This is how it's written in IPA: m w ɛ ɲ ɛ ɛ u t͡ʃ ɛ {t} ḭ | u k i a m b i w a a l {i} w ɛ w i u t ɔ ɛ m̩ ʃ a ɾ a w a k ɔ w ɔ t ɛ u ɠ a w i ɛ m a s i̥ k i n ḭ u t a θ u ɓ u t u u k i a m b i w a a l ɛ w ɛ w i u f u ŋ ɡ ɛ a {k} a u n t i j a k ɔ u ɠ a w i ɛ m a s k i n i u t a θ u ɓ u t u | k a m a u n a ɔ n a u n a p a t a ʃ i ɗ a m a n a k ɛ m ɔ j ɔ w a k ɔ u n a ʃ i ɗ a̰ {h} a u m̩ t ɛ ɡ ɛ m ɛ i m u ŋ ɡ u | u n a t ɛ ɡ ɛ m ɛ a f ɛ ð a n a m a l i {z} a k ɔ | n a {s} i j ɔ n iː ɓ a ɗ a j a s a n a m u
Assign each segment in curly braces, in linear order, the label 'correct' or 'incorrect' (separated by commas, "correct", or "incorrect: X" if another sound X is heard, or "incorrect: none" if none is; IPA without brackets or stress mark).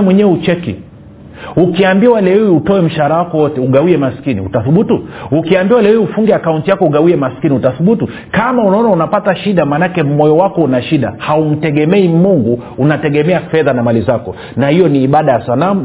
incorrect: k, incorrect: ɛ, correct, correct, correct, incorrect: h